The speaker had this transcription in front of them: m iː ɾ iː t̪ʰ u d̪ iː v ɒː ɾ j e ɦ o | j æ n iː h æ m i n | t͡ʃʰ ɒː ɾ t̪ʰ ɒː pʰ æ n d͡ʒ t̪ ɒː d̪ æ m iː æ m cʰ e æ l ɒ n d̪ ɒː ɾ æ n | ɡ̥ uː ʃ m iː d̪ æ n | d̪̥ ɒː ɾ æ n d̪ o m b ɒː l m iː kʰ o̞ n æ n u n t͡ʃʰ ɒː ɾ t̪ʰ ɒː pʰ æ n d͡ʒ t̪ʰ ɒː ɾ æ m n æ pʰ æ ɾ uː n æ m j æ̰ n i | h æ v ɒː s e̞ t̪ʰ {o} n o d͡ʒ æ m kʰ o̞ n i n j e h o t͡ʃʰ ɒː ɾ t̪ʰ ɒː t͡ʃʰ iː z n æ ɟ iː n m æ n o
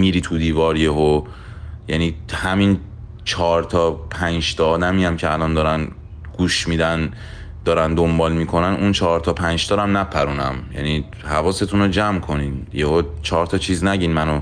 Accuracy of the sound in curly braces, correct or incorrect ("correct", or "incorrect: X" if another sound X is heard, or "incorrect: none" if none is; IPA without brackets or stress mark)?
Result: incorrect: u